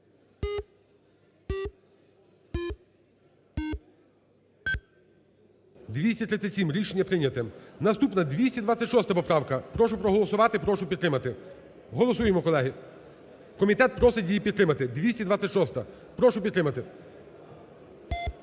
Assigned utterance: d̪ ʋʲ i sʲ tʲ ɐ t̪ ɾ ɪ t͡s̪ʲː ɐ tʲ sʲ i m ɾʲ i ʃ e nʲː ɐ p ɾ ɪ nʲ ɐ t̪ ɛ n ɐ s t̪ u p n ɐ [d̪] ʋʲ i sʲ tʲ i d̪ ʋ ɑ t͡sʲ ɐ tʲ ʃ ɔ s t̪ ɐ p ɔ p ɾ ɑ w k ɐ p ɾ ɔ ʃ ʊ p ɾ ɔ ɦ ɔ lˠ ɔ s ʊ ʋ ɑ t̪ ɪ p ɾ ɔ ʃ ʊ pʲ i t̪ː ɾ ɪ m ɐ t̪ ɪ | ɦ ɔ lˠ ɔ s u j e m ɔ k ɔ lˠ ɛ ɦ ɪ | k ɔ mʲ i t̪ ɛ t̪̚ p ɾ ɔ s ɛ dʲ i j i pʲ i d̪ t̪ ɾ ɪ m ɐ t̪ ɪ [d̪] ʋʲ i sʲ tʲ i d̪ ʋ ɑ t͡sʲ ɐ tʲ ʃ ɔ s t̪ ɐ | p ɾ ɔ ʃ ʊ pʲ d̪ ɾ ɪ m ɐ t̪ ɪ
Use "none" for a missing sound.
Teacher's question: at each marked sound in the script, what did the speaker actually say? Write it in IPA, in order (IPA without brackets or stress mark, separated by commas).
d̪, d̪